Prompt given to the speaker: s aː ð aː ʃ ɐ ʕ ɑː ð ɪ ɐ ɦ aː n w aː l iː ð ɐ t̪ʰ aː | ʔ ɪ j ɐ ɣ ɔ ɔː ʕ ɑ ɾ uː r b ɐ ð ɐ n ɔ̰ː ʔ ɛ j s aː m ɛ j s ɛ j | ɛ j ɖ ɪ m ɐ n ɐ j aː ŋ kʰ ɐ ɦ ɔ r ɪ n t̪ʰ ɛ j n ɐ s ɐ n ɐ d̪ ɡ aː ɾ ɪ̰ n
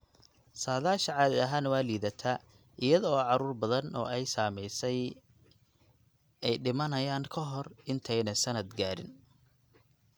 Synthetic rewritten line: s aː ð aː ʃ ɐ ʕ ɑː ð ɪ ɐ ɦ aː n w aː l iː ð ɐ t̪ʰ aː | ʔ ɪ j ɐ ð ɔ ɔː ʕ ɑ ɾ uː r b ɐ ð ɐ n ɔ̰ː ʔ ɛ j s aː m ɛ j s ɛ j | ɛ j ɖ ɪ m ɐ n ɐ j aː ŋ kʰ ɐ ɦ ɔ r ɪ n t̪ʰ ɛ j n ɐ s ɐ n ɐ d̪ ɡ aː ɾ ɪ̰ n